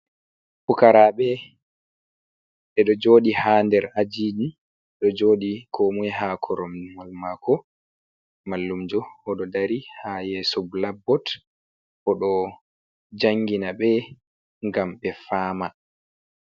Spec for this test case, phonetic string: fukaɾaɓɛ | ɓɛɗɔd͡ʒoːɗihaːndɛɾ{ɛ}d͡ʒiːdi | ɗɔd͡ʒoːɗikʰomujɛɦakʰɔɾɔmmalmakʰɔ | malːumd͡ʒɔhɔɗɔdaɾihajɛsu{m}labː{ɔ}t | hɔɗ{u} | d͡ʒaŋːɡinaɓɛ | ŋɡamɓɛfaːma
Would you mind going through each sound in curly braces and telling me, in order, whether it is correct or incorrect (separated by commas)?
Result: incorrect, incorrect, correct, incorrect